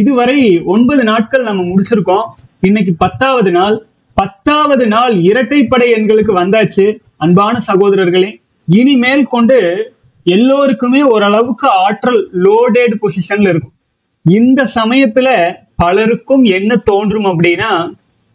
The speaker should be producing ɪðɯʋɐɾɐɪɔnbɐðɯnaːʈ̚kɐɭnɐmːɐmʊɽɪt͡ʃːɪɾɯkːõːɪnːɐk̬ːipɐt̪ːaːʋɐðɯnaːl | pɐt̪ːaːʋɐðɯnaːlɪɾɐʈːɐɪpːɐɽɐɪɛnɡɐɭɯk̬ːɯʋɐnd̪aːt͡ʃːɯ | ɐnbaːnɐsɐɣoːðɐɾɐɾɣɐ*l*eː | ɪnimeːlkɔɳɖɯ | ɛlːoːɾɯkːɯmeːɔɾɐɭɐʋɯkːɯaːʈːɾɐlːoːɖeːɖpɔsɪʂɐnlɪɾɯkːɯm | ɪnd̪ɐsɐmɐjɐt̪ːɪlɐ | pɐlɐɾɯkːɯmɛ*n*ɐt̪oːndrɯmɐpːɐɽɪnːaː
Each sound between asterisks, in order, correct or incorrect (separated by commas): incorrect, incorrect